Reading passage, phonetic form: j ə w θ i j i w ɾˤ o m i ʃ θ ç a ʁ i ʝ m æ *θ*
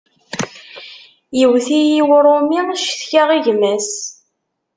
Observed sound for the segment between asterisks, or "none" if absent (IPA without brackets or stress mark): s